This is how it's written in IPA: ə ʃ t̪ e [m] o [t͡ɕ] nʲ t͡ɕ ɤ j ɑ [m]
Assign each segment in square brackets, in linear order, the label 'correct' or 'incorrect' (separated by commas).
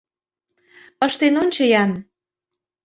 incorrect, incorrect, incorrect